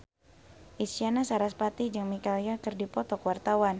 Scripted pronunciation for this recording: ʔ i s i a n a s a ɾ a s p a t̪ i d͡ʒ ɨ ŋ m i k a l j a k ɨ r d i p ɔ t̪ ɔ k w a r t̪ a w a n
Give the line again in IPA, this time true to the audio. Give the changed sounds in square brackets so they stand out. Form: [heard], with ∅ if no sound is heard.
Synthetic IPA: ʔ i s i a n a s a ɾ a s p a t̪ i d͡ʒ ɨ ŋ m i k a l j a k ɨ r d i p ɔ t̪ ɔ k w a r t̪ a w a n